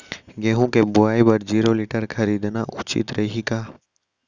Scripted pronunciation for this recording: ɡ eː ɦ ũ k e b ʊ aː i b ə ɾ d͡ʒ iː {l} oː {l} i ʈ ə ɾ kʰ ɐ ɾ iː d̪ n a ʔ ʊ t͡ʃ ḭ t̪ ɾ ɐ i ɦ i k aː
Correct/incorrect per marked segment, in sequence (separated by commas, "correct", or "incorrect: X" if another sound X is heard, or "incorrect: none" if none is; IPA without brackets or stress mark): incorrect: ɾ, correct